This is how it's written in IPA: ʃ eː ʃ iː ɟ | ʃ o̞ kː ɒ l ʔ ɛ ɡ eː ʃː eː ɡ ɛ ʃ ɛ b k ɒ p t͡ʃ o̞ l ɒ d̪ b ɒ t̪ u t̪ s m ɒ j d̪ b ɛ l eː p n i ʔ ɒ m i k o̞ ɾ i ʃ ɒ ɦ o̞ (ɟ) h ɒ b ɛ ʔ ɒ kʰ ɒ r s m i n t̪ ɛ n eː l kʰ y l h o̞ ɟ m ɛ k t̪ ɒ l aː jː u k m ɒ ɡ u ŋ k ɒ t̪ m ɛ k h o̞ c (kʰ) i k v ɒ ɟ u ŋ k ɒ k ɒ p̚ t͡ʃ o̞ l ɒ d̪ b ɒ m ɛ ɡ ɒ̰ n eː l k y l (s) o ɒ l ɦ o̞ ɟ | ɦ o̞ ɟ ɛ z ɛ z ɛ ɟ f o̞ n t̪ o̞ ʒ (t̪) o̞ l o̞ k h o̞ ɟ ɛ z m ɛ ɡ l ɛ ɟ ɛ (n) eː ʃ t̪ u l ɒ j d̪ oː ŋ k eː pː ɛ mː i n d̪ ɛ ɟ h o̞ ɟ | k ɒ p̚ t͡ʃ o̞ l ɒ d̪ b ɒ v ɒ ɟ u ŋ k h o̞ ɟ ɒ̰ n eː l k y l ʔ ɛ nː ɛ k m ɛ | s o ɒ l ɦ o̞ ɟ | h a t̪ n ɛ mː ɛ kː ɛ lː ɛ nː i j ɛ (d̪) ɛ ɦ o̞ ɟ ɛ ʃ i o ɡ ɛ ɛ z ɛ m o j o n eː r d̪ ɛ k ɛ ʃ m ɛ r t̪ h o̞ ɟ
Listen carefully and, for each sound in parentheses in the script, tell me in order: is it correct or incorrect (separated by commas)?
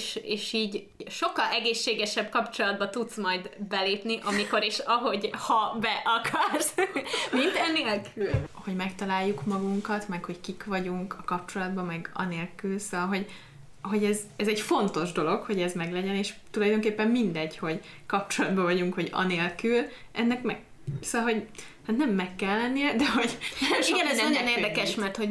correct, incorrect, correct, incorrect, correct, correct